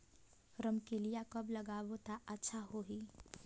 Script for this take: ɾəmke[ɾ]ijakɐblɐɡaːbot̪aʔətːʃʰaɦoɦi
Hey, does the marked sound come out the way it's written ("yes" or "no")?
no